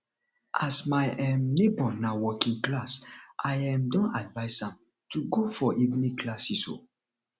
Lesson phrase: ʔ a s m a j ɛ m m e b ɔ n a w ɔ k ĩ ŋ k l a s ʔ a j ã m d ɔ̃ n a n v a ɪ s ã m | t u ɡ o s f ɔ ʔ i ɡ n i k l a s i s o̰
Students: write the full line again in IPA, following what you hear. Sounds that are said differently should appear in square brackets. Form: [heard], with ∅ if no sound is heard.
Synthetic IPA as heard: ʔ a s m a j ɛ m [n] e b ɔ n a w ɔ k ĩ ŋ k l a s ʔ a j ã m d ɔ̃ n a [d] v a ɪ s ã m | t u ɡ o [∅] f ɔ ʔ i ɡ n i k l a s i s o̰